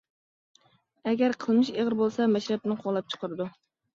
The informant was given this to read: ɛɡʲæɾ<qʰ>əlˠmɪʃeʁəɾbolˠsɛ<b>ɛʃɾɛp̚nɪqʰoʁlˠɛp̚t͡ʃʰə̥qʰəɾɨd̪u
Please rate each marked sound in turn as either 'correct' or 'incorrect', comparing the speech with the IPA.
correct, incorrect

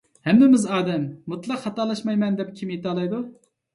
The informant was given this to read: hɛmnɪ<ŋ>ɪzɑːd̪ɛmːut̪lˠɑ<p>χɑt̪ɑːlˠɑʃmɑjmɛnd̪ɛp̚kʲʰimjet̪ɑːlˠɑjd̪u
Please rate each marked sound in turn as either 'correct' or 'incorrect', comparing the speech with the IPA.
incorrect, incorrect

